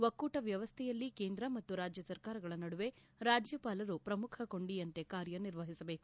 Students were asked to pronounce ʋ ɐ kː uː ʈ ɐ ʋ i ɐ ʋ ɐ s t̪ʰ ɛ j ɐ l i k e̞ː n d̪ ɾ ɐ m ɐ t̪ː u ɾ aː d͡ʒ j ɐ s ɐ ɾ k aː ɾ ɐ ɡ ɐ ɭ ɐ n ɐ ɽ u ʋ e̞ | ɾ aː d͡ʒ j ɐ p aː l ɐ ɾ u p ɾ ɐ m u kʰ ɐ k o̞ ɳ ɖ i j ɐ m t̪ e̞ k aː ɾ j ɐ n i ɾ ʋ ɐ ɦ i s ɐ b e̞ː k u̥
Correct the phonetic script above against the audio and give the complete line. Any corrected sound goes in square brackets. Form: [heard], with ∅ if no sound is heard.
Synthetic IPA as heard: ʋ ɐ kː uː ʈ ɐ ʋ [j] ɐ ʋ ɐ s t̪ʰ ɛ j ɐ [lː] i k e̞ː n d̪ ɾ ɐ m ɐ t̪ː u ɾ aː d͡ʒ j ɐ s ɐ ɾ k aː ɾ ɐ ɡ ɐ ɭ ɐ n ɐ ɽ u ʋ e̞ | ɾ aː d͡ʒ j ɐ p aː l ɐ ɾ u p ɾ ɐ m u kʰ ɐ k o̞ ɳ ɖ i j ɐ [n] t̪ e̞ k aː ɾ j ɐ n i ɾ ʋ ɐ ɦ i s ɐ b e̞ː k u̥